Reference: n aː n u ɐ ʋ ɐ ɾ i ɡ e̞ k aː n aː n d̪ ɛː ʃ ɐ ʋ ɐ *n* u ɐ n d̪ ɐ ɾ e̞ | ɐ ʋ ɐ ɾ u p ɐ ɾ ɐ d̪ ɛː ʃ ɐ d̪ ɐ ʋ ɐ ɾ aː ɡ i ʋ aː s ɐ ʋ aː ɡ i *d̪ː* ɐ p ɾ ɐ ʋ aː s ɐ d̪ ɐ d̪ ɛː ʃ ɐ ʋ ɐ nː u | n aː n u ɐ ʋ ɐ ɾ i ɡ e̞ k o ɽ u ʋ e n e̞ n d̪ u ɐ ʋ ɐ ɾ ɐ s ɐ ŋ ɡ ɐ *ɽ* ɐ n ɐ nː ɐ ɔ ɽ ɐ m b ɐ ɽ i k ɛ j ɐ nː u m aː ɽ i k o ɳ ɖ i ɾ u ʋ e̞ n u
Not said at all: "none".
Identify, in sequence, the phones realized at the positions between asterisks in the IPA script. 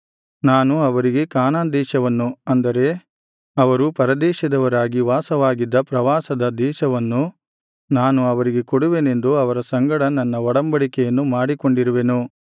nː, d̪ː, ɽ

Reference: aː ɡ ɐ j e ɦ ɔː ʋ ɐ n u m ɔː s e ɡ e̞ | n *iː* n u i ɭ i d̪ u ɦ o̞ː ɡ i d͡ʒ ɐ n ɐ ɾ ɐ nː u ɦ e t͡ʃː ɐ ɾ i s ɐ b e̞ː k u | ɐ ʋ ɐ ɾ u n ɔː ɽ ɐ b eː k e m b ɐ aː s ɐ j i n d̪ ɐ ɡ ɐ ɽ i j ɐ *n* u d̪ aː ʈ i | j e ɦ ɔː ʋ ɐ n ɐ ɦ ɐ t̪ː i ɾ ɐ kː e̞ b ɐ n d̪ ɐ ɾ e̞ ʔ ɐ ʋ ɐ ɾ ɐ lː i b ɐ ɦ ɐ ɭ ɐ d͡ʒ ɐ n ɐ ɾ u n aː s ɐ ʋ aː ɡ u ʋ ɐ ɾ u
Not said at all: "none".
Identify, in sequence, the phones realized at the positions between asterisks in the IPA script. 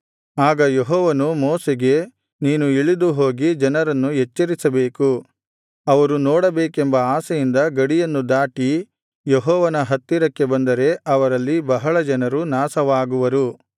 iː, nː

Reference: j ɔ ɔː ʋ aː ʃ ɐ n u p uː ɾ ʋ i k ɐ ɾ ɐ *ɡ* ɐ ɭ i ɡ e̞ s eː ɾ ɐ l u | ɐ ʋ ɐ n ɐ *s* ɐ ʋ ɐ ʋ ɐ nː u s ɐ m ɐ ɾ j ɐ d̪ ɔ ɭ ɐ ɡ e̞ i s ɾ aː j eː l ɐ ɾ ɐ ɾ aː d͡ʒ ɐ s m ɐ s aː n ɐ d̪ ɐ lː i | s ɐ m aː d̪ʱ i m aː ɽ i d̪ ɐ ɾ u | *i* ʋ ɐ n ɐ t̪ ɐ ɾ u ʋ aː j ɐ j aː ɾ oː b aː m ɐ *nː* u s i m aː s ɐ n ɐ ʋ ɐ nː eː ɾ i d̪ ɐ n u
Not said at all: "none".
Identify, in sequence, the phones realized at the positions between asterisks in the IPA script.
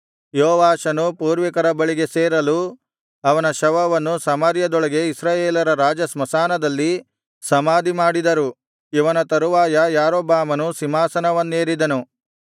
b, ʃ, i, n

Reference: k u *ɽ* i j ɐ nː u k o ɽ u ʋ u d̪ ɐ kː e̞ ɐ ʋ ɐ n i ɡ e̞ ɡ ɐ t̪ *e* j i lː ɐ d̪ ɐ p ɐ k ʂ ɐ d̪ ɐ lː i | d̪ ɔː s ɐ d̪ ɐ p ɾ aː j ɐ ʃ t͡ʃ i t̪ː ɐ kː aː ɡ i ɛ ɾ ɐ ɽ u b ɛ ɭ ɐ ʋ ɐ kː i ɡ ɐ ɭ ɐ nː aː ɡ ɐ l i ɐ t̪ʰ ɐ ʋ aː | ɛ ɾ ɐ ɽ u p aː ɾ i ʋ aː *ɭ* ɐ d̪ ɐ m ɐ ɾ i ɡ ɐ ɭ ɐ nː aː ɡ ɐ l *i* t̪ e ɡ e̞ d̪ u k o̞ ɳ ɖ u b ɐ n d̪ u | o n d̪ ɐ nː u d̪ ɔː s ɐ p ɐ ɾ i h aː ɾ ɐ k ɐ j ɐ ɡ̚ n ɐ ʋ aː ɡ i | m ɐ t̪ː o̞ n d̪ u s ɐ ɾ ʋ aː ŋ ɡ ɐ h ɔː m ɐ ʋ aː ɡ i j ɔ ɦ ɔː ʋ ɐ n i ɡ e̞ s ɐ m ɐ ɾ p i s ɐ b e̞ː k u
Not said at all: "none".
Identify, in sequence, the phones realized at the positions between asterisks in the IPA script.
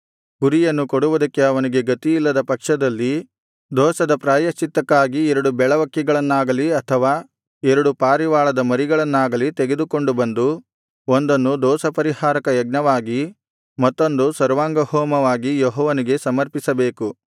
ɾ, i, ɭ, i

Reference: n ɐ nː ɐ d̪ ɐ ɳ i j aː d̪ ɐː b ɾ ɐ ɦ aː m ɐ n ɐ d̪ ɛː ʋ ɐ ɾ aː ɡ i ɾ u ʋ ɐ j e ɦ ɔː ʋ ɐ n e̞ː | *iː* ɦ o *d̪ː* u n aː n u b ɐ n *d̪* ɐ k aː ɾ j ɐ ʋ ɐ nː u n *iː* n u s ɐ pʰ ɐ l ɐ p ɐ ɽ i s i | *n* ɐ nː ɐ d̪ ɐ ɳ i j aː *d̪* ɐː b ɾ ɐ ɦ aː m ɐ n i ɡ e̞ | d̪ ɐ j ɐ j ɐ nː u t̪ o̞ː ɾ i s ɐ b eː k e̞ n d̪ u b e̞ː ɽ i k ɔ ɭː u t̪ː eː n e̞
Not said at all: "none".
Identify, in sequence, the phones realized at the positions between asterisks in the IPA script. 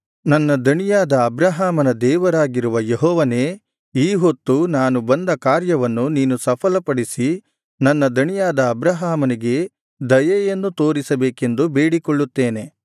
iː, t̪ː, d̪, iː, n, d̪

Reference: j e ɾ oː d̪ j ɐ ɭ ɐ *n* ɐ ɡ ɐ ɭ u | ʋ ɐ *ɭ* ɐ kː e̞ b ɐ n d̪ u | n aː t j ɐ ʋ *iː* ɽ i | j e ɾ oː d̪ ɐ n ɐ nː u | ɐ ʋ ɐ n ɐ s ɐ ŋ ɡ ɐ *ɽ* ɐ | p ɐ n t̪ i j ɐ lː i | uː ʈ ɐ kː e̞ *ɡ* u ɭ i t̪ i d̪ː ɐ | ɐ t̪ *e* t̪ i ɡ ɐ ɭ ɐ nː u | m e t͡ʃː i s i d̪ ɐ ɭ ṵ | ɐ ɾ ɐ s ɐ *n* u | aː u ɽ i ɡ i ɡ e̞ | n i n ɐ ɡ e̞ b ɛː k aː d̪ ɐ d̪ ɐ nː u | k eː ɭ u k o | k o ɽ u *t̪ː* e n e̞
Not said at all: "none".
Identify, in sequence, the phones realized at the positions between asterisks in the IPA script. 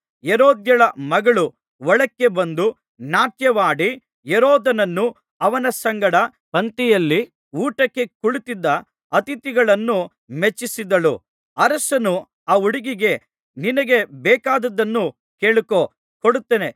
m, ɭ, aː, ɽ, k, i, n, t̪ː

